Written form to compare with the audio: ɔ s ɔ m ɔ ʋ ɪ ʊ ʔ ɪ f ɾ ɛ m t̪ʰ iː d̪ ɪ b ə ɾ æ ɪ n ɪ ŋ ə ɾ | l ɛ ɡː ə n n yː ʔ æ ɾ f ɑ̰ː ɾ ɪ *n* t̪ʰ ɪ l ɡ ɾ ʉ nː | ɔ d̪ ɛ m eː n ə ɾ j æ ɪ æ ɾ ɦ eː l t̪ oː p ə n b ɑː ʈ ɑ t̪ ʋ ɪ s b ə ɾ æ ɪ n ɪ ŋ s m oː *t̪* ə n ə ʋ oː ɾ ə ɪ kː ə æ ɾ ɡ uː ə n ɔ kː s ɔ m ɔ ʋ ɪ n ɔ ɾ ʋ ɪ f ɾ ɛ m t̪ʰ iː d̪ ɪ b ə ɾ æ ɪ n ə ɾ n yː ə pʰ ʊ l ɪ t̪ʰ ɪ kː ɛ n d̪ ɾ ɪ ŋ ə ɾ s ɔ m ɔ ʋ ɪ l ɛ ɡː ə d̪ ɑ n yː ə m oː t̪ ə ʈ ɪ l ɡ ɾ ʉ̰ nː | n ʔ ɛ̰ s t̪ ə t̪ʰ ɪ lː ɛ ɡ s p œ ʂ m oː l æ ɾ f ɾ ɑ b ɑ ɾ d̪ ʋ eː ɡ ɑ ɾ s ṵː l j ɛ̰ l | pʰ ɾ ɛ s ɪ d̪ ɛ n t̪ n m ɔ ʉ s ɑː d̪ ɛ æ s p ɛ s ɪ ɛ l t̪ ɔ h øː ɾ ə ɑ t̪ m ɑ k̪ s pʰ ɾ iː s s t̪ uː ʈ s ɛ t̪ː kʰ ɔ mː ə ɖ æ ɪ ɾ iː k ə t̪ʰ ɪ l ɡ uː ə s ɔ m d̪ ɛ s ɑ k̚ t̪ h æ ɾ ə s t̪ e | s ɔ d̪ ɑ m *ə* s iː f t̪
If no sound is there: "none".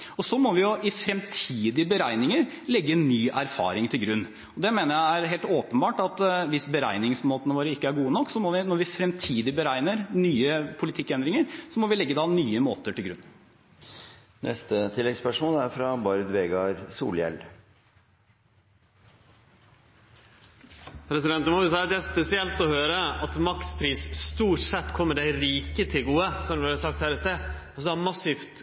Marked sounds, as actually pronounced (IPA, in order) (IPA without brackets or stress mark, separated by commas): ŋ, t̪, ɑ